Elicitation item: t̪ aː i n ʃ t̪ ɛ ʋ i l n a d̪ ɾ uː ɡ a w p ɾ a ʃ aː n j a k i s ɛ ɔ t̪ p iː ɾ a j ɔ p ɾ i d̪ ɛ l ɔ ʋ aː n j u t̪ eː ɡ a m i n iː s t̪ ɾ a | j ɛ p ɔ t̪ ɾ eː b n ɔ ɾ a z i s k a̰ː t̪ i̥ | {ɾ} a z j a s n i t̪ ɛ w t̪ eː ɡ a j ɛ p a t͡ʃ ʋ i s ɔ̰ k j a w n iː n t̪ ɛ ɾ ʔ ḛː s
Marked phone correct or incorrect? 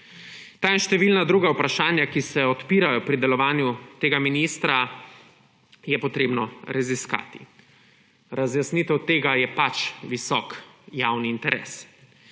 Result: correct